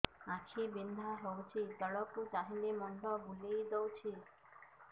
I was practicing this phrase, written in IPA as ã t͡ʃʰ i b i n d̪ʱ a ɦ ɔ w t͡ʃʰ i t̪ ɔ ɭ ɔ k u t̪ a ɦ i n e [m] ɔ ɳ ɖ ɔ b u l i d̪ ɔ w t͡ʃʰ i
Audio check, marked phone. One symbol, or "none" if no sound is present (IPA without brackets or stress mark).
m